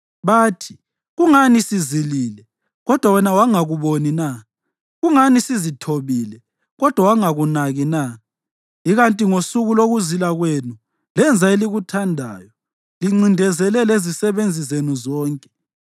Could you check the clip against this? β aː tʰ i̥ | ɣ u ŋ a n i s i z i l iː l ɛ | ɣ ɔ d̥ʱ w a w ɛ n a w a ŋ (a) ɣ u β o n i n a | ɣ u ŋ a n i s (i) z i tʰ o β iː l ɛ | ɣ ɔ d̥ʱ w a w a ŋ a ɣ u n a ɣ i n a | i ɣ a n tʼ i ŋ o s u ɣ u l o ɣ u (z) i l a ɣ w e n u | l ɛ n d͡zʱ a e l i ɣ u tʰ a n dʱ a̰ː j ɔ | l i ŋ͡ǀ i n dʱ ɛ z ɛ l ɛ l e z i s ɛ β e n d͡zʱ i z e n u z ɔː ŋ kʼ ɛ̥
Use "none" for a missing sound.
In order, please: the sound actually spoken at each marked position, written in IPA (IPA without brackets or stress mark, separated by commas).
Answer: a, i, z